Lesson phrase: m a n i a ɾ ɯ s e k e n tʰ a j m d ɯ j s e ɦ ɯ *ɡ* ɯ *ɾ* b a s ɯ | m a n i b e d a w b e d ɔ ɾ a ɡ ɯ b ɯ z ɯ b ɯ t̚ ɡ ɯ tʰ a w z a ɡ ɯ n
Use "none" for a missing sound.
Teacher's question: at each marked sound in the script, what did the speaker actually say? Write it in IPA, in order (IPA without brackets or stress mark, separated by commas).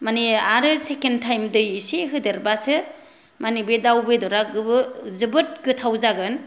d, ɾ